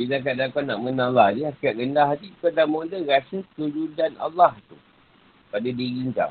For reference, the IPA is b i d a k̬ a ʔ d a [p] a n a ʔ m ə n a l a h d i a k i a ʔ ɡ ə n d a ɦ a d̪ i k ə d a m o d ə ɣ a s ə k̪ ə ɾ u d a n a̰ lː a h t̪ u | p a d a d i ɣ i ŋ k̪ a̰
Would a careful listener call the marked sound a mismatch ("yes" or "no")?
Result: yes